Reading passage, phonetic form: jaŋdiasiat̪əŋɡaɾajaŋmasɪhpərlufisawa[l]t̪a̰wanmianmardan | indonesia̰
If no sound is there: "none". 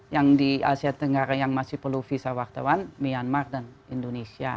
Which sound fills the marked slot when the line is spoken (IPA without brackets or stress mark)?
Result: r